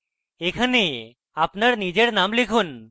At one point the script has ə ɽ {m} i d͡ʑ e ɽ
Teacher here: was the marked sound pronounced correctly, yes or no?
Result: no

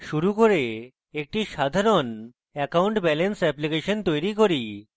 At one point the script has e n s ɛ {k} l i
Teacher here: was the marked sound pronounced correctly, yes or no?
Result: no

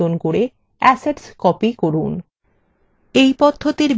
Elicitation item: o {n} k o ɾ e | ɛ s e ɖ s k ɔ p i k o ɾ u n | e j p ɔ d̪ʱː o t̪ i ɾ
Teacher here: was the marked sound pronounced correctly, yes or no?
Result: yes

